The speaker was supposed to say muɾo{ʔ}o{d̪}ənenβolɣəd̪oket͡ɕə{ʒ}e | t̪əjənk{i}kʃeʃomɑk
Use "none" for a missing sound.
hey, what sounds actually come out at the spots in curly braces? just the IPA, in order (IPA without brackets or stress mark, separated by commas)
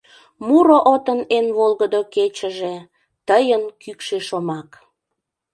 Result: ʔ, t̪, ʒ, y